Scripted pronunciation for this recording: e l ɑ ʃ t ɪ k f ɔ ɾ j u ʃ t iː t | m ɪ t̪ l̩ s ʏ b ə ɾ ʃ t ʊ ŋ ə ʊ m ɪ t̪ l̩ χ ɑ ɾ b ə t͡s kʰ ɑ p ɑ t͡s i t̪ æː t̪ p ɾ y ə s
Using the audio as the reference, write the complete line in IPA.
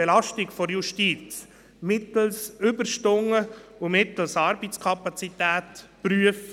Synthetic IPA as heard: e l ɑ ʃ t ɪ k f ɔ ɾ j u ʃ t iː t͡s | m ɪ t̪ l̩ s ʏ b ə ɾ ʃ t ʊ ŋ ə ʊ m ɪ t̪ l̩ s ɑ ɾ b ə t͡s kʰ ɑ p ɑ t͡s i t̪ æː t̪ p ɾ y ə f